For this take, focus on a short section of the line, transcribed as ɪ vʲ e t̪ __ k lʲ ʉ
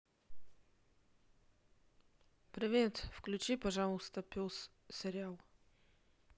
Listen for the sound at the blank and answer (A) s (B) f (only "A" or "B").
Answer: B